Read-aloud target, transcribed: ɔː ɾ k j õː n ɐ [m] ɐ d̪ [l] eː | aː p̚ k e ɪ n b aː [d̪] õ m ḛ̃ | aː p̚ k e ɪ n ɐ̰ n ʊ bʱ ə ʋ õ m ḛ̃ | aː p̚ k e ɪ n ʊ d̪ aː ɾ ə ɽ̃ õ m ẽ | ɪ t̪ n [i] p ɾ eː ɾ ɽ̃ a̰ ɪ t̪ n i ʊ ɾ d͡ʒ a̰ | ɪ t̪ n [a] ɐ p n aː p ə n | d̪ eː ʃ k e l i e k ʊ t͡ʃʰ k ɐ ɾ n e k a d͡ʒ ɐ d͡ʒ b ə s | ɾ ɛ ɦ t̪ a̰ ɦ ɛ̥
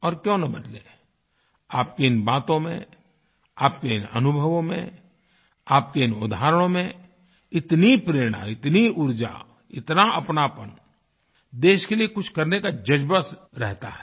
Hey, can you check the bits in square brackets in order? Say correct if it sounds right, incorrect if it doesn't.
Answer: incorrect: b, correct, incorrect: t̪, correct, correct

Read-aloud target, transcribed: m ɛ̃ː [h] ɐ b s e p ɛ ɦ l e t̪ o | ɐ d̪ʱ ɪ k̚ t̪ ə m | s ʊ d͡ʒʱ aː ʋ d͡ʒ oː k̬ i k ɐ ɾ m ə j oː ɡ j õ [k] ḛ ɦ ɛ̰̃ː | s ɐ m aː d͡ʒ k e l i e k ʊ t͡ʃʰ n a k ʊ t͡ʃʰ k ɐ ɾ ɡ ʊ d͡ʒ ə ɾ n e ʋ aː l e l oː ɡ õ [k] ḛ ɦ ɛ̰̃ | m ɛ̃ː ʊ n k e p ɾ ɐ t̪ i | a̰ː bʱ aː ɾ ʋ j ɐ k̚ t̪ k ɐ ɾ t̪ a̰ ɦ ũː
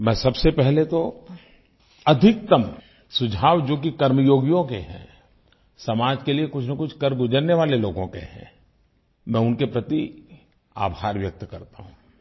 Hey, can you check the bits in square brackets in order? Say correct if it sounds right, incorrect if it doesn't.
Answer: incorrect: s, correct, correct

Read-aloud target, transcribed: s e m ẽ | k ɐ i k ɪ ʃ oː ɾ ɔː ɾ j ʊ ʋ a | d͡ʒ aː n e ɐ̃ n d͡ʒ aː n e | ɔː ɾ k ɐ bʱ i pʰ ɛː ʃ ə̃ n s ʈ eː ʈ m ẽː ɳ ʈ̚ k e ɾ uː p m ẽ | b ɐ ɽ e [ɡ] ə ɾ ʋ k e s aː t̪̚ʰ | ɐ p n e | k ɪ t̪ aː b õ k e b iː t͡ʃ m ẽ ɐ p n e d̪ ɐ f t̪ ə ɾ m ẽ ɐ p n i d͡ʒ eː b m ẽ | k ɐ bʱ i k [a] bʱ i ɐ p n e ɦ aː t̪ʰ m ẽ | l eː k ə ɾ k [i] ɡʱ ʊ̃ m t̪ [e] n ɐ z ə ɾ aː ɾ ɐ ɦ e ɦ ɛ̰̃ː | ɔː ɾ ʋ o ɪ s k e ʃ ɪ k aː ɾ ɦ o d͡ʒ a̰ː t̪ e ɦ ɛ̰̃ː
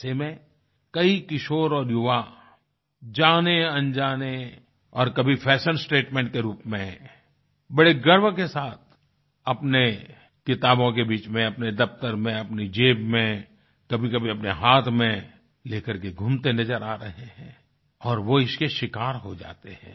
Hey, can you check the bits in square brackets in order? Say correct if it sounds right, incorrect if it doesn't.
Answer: correct, incorrect: ɐ, incorrect: e, correct

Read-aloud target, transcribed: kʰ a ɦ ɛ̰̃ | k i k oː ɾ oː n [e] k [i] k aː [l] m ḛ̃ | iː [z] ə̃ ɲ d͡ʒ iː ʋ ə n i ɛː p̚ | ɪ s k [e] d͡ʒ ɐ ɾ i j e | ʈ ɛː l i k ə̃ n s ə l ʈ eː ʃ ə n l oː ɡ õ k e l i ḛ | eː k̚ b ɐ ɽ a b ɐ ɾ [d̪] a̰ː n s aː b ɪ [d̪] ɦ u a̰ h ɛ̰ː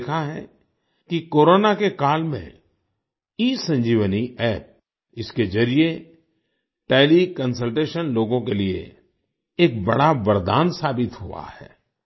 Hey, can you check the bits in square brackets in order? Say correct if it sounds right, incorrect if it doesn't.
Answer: incorrect: a, incorrect: e, correct, incorrect: s, correct, correct, incorrect: t̪

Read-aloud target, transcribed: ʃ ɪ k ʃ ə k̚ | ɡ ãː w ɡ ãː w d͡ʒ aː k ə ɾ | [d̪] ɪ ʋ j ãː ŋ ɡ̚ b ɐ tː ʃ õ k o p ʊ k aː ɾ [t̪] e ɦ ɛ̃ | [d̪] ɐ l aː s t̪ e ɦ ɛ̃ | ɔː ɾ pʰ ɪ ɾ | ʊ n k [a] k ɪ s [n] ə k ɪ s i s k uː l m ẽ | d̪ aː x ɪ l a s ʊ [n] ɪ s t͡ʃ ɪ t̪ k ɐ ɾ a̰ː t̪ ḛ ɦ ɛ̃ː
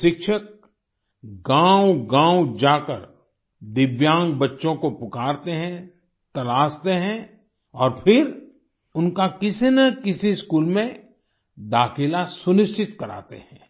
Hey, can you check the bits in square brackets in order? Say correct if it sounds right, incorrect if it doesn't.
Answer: correct, correct, incorrect: t̪, correct, correct, correct

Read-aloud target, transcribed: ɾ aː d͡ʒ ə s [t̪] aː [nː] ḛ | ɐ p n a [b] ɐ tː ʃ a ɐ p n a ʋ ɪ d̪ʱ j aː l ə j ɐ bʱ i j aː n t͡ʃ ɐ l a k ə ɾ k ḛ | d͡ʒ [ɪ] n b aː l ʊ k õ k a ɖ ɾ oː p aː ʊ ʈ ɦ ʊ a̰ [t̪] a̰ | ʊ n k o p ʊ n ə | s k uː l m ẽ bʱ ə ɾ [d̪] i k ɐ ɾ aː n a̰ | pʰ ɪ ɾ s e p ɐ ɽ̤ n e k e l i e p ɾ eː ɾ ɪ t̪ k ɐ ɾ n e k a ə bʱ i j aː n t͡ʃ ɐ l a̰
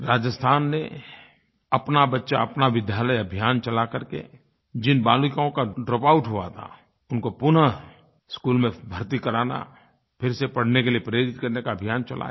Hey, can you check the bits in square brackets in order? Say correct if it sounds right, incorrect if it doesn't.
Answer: incorrect: t̪ʰ, correct, correct, correct, incorrect: t̪ʰ, incorrect: t̪

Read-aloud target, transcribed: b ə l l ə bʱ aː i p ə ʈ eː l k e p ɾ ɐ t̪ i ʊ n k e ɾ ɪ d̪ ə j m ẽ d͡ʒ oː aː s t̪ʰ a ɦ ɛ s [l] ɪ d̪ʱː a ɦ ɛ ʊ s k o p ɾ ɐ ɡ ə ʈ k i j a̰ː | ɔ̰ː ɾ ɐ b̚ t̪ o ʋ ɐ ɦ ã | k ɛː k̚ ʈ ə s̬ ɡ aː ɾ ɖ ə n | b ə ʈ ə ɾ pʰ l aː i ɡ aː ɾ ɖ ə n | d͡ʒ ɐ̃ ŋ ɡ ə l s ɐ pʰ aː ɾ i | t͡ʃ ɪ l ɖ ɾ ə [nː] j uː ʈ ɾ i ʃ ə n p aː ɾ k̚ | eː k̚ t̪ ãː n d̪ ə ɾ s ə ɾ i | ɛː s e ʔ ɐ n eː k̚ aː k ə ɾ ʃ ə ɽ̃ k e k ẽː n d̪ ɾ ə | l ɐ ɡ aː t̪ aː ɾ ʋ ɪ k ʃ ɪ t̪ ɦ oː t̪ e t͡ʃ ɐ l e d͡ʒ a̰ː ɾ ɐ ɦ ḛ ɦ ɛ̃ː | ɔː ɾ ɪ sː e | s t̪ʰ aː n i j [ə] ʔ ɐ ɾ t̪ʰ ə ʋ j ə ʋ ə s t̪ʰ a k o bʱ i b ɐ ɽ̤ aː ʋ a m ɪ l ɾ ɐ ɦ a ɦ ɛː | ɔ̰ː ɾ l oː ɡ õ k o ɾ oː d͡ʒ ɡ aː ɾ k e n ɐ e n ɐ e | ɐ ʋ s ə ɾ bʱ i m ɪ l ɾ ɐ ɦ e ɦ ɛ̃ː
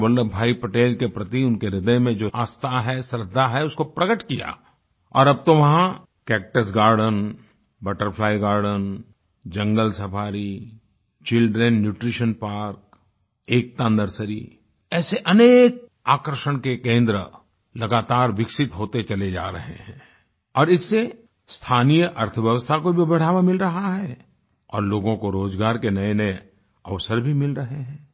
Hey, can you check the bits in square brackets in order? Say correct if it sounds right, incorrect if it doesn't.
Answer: incorrect: ɾ, correct, correct

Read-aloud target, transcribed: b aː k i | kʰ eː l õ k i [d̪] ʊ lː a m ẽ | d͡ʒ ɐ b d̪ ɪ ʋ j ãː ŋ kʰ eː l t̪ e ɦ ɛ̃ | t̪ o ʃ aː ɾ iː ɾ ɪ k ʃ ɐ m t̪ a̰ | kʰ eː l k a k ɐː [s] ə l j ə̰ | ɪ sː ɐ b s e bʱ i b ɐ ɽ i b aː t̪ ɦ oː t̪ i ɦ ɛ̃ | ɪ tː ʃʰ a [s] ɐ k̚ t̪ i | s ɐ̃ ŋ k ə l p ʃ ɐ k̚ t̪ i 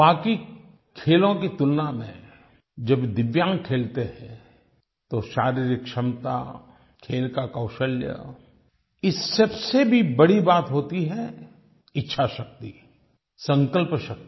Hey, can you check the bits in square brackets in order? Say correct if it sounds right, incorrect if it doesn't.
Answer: incorrect: t̪, incorrect: ʃ, incorrect: ʃ

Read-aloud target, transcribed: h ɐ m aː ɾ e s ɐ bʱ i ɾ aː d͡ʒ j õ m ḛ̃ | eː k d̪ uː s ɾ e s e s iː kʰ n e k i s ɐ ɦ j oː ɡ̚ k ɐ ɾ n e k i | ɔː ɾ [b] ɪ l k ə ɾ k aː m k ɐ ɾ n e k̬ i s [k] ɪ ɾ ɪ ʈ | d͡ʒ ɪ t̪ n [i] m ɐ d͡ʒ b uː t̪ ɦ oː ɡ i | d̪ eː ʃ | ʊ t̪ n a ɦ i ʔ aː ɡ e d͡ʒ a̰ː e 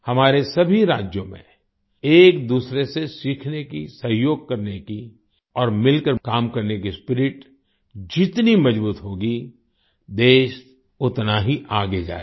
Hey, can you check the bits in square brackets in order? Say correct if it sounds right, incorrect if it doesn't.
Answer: incorrect: m, incorrect: p, correct

